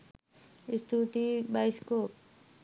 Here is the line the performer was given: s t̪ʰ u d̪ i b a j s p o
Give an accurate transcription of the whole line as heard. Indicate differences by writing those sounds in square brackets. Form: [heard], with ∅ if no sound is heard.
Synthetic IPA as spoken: s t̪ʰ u [t̪] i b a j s [k] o